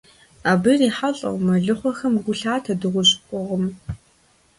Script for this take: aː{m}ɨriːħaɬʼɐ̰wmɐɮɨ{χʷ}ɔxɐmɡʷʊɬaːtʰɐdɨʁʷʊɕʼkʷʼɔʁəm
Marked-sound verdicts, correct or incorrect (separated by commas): incorrect, correct